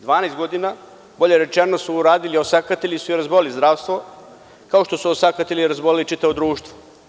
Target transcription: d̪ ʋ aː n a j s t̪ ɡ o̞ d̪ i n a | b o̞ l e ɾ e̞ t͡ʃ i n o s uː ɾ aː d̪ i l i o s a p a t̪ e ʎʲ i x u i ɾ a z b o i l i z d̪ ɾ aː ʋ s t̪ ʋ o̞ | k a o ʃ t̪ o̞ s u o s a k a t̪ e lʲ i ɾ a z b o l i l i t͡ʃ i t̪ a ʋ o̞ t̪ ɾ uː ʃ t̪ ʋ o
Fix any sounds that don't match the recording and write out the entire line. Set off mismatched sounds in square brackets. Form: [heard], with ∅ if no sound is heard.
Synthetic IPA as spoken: d̪ ʋ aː n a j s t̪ ɡ o̞ d̪ i n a | b o̞ [ʎ] e ɾ e̞ t͡ʃ [e] n o s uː ɾ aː d̪ i l i o s a [k] a t̪ e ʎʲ i [s] u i ɾ a z b o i l i z d̪ ɾ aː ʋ s t̪ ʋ o̞ | k a o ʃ t̪ o̞ s u o s a k a t̪ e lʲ i ɾ a z b o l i l i t͡ʃ i t̪ a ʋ o̞ [d̪] ɾ uː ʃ t̪ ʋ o